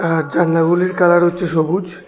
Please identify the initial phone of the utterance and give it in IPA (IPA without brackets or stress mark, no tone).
a